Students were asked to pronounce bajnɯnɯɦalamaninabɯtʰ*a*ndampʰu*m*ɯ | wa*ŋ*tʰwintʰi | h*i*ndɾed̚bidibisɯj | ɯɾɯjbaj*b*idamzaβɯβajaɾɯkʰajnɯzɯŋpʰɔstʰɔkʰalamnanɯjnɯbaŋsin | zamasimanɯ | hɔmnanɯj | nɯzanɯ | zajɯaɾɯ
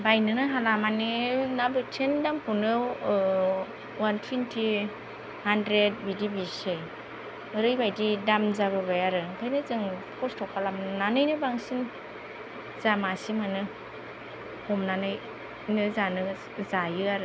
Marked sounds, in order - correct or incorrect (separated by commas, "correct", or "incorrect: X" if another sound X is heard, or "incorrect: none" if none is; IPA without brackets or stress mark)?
incorrect: e, incorrect: n, incorrect: n, incorrect: a, incorrect: d